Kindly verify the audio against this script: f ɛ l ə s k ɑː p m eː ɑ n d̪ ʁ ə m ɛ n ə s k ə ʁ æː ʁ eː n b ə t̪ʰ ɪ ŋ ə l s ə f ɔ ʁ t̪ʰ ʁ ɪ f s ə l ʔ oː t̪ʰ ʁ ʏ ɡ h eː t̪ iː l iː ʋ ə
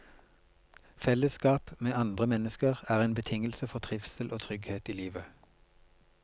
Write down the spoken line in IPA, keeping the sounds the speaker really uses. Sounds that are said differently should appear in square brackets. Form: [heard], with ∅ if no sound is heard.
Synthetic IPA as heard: f ɛ l ə s k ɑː p m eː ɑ n d̪ ʁ ə m ɛ n ə s k ə ʁ æː ʁ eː n b ə t̪ʰ ɪ ŋ ə l s ə f ɔ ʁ t̪ʰ ʁ ɪ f s ə l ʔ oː t̪ʰ ʁ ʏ ɡ h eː t̪ iː l iː ʋ ə